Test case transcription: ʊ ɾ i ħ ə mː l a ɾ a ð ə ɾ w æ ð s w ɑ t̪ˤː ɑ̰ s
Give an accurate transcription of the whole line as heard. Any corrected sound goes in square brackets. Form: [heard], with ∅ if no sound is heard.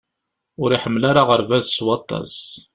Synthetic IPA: ʊ ɾ i ħ ə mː l a ɾ a [ʁ] ə ɾ [v] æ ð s w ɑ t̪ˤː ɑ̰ s